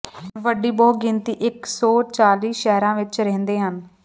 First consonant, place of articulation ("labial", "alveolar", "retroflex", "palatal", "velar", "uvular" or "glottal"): labial